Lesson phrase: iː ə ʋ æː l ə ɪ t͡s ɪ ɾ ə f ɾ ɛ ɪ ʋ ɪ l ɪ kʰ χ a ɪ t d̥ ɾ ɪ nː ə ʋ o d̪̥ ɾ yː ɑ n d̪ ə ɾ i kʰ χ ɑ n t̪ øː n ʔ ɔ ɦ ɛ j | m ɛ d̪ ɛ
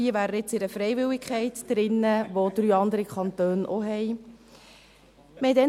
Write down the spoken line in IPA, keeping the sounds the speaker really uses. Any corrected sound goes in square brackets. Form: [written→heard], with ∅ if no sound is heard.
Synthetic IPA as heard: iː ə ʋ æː [l→ɾ] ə ɪ t͡s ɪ ɾ ə f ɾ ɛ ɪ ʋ ɪ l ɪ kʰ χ [a→ɛ] ɪ t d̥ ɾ ɪ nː ə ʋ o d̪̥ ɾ yː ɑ n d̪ ə ɾ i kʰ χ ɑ n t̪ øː n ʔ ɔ ɦ ɛ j | m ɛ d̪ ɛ